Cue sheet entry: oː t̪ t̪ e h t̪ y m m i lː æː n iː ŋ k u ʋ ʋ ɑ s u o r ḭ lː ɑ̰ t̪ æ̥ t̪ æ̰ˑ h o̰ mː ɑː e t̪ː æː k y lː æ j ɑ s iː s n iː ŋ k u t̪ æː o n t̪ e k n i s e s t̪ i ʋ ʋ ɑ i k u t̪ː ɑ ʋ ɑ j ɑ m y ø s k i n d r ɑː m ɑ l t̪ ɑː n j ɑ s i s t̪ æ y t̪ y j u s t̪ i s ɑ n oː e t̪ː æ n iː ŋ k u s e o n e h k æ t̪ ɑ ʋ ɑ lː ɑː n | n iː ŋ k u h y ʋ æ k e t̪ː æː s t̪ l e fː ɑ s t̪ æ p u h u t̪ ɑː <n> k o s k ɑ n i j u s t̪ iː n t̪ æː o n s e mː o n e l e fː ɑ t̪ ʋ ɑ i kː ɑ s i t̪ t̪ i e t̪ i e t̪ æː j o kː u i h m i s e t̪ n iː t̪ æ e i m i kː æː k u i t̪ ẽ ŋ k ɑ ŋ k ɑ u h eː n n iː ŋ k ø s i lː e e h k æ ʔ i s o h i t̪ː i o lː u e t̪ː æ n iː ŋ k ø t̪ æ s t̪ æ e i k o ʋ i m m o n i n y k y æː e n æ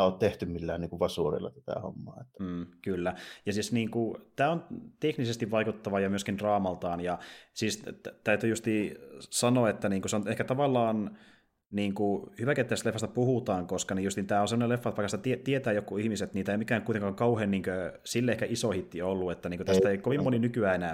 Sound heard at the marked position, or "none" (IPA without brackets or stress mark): ŋ